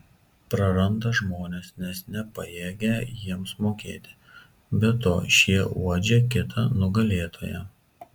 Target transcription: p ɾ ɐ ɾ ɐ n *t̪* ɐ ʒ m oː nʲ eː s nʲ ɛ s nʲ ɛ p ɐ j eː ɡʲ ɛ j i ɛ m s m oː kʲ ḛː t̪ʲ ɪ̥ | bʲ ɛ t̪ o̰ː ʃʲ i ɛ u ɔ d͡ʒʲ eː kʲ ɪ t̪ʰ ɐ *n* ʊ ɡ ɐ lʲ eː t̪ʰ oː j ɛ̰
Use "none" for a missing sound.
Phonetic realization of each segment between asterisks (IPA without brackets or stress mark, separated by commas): d̪, n